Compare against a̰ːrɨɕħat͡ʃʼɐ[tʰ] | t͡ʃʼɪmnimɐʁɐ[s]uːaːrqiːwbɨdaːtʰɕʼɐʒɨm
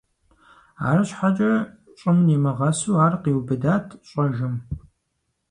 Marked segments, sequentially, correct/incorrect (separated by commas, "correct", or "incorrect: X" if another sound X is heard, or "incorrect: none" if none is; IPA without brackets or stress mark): incorrect: none, correct